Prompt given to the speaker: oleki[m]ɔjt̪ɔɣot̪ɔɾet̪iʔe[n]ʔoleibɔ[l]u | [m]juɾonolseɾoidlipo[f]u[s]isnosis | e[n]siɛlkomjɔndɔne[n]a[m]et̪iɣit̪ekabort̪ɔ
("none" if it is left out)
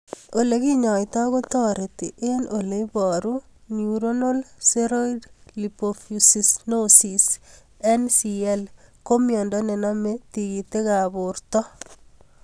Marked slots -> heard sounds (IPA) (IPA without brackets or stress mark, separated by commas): ɲ, n, ɾ, n, f, s, n, n, m